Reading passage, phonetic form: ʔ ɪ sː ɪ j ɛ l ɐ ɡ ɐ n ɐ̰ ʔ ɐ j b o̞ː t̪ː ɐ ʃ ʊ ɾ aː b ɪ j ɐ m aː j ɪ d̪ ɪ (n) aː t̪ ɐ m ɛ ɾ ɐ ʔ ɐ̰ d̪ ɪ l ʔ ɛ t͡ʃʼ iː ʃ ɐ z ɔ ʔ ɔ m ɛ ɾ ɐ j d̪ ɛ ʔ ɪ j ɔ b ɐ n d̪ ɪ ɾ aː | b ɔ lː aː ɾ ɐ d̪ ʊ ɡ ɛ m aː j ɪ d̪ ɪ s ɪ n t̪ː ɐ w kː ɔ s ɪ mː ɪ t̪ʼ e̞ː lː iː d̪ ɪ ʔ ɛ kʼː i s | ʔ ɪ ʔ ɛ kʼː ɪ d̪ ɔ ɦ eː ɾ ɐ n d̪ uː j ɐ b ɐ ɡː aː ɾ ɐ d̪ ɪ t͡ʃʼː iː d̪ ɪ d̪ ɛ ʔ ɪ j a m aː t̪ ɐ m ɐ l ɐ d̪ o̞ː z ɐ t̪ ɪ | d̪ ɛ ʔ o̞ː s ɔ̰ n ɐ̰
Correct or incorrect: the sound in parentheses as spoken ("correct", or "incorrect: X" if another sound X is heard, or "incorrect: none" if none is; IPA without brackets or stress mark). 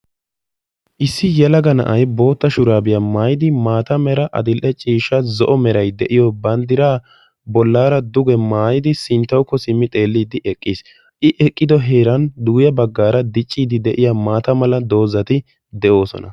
incorrect: m